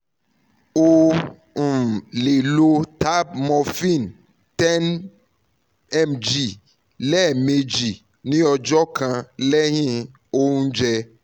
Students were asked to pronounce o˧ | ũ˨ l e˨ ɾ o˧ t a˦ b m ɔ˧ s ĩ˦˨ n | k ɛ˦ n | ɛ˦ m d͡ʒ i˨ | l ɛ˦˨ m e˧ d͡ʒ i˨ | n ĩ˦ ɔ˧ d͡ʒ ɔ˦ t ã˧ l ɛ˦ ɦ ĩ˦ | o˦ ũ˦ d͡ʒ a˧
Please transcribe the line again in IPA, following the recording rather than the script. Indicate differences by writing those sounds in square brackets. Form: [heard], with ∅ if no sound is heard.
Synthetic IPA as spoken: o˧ | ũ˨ l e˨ [l] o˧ t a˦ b m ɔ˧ [f] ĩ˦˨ n | [t] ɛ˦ n | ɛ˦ m d͡ʒ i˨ | l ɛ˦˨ m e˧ d͡ʒ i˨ | n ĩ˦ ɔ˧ d͡ʒ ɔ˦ [k] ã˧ l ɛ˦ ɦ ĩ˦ | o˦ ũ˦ d͡ʒ [ɛ˧]